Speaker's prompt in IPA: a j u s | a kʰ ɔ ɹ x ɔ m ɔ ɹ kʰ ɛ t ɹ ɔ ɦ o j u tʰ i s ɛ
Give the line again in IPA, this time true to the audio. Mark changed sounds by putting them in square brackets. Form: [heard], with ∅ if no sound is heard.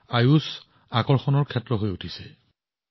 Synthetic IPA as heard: a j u s | a [k] ɔ ɹ x ɔ [n] ɔ ɹ kʰ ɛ t ɹ ɔ ɦ o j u tʰ i s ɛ